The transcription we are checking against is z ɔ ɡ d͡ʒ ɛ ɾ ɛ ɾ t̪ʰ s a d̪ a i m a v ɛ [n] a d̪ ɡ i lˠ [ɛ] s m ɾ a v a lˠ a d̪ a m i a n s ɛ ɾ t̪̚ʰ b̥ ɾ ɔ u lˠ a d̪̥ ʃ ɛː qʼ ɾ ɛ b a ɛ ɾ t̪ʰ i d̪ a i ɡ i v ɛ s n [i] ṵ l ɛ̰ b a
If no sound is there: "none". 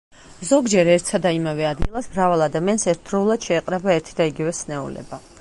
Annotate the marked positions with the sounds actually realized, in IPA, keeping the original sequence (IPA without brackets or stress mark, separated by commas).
none, a, ɛ